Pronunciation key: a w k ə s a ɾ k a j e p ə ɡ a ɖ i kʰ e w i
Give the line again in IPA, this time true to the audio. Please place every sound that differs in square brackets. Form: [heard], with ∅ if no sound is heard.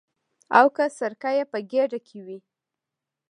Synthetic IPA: a w k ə s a ɾ k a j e p ə ɡ [e] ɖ [a] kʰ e w i